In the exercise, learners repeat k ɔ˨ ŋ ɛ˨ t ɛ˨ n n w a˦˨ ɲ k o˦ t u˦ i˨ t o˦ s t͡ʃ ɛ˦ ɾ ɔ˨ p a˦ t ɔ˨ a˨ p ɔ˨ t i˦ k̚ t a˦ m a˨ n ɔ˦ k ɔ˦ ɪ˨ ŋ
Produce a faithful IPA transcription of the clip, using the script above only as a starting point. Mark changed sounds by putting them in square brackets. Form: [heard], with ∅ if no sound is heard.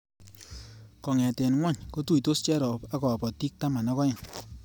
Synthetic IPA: k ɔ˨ ŋ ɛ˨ t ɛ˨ n [ŋ] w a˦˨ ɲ k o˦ t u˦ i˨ t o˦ s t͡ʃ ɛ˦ ɾ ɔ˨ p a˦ [k] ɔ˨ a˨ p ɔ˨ t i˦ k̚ t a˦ m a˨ n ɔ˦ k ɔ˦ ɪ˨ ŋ